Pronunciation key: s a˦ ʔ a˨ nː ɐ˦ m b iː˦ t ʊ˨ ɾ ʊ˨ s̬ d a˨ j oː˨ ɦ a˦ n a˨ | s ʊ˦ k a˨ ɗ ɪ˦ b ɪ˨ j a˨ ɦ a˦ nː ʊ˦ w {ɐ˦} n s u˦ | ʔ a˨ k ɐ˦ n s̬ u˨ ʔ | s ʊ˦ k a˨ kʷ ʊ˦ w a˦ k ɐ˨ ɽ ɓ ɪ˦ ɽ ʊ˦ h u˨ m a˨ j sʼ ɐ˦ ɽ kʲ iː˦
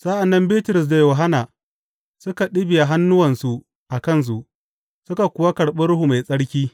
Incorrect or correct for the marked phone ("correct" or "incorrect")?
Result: incorrect